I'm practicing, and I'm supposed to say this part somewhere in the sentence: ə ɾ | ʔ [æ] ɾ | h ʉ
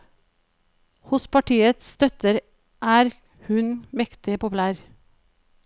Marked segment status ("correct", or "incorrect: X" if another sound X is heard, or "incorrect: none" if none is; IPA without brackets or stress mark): incorrect: æː